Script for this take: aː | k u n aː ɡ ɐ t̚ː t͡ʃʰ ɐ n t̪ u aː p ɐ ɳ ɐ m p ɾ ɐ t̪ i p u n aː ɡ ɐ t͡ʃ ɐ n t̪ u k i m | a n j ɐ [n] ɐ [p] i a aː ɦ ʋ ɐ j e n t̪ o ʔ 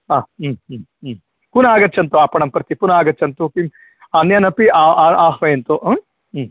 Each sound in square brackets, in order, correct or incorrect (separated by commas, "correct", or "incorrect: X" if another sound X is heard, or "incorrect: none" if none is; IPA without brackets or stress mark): correct, correct